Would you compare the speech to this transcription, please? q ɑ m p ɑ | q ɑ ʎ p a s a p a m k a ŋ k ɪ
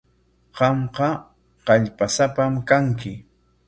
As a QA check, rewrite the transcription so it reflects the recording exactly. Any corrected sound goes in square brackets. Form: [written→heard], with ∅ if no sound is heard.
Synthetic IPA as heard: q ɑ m [p→q] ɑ | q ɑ ʎ p a s a p a m k a ŋ k ɪ